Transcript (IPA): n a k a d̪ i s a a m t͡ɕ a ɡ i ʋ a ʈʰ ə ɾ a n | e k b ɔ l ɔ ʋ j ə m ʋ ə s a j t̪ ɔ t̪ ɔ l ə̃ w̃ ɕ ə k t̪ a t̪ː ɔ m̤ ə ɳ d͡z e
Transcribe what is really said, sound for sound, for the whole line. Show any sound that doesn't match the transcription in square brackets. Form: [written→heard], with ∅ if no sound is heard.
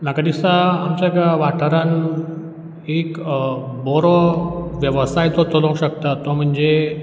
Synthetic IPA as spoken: n a k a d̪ i s a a m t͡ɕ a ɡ [i→a] ʋ a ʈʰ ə ɾ a n | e k b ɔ [l→ɾ] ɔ ʋ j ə [m→∅] ʋ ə s a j t̪ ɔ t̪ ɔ l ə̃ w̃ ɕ ə k t̪ a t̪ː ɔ m̤ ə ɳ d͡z e